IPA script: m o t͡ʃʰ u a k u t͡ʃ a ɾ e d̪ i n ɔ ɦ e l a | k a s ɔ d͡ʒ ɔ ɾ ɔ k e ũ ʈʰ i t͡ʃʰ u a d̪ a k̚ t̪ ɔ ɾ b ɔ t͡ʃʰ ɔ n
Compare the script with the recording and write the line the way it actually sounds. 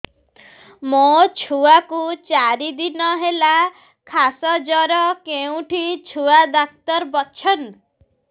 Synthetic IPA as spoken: m o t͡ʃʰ u a k u t͡ʃ a ɾ i d̪ i n ɔ ɦ e l a | kʰ a s ɔ d͡ʒ ɔ ɾ ɔ k e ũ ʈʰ i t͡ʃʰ u a d̪ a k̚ t̪ ɔ ɾ b ɔ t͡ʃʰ ɔ n